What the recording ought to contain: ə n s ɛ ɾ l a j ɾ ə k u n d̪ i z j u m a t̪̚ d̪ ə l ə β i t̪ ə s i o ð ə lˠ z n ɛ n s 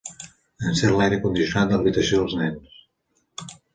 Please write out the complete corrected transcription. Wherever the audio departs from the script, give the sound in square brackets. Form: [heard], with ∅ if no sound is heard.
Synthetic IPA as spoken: ə n s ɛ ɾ l a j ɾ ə k u n d̪ i [s] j u [n] a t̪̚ d̪ ə l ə β i t̪ ə s i o ð ə lˠ z n ɛ n s